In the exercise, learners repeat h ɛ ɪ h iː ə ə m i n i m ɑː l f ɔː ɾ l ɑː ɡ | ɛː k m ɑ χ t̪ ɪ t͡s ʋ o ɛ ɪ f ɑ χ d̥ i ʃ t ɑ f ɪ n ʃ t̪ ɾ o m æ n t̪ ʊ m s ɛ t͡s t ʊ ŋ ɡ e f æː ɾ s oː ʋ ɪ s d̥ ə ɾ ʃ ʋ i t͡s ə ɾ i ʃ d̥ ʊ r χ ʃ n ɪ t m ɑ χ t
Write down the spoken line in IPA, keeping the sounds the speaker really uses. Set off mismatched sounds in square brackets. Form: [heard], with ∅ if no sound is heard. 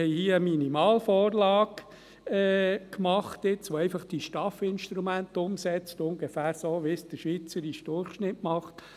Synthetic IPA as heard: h ɛ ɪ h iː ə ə m i n i m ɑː l f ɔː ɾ l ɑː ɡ | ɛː k m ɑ χ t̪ ɪ t͡s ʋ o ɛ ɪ f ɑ χ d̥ i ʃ t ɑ f ɪ n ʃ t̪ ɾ [u] m æ n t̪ ʊ m s ɛ t͡s t ʊ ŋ ɡ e f æː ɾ s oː ʋ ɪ s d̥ ə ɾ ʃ ʋ i t͡s ə ɾ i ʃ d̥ ʊ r χ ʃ n ɪ t m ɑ χ t